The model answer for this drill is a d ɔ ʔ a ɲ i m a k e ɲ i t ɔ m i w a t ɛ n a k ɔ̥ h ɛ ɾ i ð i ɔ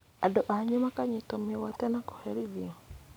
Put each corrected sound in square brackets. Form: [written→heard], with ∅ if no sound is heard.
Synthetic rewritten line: a d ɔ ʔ a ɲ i m a k [e→a] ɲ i t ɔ m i w a t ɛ n a k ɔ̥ h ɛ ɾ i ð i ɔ